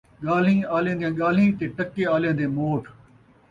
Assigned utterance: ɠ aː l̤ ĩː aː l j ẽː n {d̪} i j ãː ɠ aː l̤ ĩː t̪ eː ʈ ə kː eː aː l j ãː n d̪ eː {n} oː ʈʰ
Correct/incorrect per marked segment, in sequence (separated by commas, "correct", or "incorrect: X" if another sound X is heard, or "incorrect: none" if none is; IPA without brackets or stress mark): correct, incorrect: m